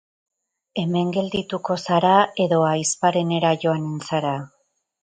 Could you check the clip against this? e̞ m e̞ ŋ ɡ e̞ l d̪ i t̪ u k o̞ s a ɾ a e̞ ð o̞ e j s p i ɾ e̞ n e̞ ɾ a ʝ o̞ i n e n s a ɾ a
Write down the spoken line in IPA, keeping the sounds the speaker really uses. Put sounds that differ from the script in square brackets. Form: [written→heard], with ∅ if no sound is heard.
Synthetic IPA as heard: e̞ m e̞ ŋ ɡ e̞ l d̪ i t̪ u k o̞ s a ɾ a e̞ ð o̞ [e→a] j s p [i→a] ɾ e̞ n e̞ ɾ a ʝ o̞ [i→a] n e n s a ɾ a

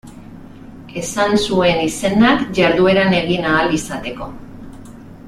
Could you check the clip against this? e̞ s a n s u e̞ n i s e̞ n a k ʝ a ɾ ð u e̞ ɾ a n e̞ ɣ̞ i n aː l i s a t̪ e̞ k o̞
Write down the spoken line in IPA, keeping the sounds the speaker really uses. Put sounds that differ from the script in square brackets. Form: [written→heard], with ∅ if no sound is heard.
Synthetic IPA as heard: e̞ s a n s u e̞ n i s e̞ n a k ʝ a ɾ ð u e̞ ɾ a n e̞ ɣ̞ i n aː l i s a t̪ e̞ k o̞

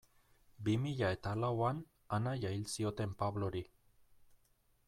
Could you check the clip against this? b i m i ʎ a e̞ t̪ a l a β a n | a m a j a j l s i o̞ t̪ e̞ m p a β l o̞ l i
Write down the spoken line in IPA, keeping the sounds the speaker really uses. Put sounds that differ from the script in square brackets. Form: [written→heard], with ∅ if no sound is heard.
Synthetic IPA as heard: b i m i ʎ a e̞ t̪ a l a [β→w] a n | a [m→n] a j a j l s i o̞ t̪ e̞ m p a β l o̞ [l→ɾ] i

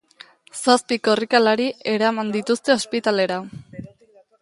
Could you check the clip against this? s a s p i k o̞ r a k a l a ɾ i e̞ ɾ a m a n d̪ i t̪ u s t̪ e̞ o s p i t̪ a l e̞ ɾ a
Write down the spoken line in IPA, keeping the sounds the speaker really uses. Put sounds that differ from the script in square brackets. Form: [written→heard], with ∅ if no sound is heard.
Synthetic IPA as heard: s a s p i k o̞ r [a→i] k a l a ɾ i e̞ ɾ a m a n d̪ i t̪ u s t̪ e̞ o s p i t̪ a l e̞ ɾ a

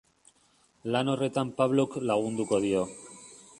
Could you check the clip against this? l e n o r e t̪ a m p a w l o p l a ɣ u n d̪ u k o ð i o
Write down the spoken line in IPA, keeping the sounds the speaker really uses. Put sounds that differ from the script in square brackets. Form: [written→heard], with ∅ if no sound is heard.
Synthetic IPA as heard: l [e→a] n o r e t̪ a m p a [w→β] l o [p→k] l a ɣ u n d̪ u k o ð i o

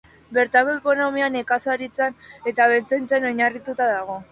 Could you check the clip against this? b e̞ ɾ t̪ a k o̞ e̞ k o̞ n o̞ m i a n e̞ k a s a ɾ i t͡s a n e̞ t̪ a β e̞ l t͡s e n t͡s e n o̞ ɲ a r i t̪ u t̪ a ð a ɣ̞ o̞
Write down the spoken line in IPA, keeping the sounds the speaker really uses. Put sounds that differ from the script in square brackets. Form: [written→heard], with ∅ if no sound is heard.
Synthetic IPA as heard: b e̞ ɾ t̪ a k o̞ e̞ k o̞ n o̞ m i a n e̞ k a s a ɾ i t͡s a n e̞ t̪ a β e̞ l t͡s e n t͡s e n o̞ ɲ a r i t̪ u t̪ a ð a ɣ̞ o̞

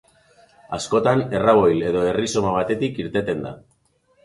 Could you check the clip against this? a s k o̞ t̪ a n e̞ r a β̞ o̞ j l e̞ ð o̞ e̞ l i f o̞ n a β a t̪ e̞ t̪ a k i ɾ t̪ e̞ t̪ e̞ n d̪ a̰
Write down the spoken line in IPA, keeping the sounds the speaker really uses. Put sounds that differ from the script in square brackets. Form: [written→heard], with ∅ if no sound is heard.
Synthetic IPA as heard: a s k o̞ t̪ a n e̞ r a β̞ o̞ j l e̞ ð o̞ e̞ [l→r] i [f→s] o̞ [n→m] a β a t̪ e̞ t̪ [a→i] k i ɾ t̪ e̞ t̪ e̞ n d̪ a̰

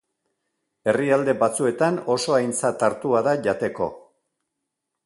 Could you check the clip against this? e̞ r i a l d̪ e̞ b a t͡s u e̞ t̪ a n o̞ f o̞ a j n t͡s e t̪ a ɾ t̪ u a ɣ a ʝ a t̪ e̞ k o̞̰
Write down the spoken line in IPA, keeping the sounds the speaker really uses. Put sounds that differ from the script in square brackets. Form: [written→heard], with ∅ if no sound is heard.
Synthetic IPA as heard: e̞ r i a l d̪ e̞ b a t͡s u e̞ t̪ a n o̞ [f→s] o̞ a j n t͡s [e→a] t̪ a ɾ t̪ u a [ɣ→ð] a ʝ a t̪ e̞ k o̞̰

